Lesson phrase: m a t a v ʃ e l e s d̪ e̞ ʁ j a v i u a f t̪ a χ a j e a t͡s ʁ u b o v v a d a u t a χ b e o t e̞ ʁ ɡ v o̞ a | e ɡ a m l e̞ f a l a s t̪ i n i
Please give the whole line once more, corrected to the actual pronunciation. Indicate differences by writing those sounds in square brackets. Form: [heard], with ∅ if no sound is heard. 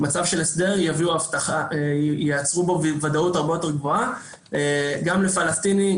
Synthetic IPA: m a [t͡s] a v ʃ e l e s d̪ e̞ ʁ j a v i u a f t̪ a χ a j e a t͡s ʁ u b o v v a d a u t a [ʁ] b e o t e̞ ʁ ɡ v o̞ a | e ɡ a m l e̞ f a l a s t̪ i n i